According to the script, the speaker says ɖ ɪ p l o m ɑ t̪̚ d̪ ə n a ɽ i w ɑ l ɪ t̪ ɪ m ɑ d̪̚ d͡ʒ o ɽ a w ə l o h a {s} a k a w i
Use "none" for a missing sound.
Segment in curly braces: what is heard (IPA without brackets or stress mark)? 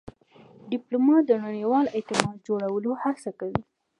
s